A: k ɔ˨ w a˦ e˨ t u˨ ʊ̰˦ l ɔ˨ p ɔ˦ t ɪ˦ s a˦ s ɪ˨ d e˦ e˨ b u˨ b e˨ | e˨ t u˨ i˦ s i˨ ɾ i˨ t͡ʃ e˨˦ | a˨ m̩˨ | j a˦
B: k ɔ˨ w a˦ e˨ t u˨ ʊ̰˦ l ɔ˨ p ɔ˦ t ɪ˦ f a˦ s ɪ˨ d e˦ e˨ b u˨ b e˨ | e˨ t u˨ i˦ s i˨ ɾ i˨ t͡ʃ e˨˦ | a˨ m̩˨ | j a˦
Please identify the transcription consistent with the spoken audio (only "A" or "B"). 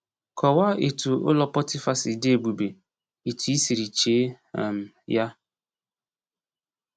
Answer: B